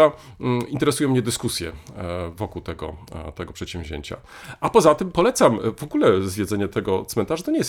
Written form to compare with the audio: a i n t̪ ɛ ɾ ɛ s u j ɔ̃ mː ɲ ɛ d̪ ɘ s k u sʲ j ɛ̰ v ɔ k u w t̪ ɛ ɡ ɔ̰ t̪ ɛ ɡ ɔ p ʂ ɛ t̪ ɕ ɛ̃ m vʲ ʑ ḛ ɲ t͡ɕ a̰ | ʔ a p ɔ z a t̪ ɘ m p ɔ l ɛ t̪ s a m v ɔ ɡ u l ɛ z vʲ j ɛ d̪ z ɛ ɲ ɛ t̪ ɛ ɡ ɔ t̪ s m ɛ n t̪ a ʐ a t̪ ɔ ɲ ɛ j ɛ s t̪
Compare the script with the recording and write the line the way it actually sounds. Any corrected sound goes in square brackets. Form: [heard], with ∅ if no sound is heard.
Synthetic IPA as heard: a i n t̪ ɛ ɾ ɛ s u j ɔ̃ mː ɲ ɛ d̪ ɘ s k u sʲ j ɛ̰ v ɔ k u w t̪ ɛ ɡ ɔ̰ t̪ ɛ ɡ ɔ p ʂ ɛ t̪ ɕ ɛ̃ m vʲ ʑ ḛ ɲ t͡ɕ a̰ | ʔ a p ɔ z a t̪ ɘ m p ɔ l ɛ t̪ s a m v ɔ ɡ u l ɛ z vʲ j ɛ d̪ z ɛ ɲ ɛ t̪ ɛ ɡ ɔ t̪ s m ɛ n t̪ a ʐ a t̪ ɔ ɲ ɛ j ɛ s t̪